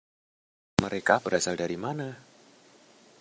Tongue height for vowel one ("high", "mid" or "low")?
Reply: mid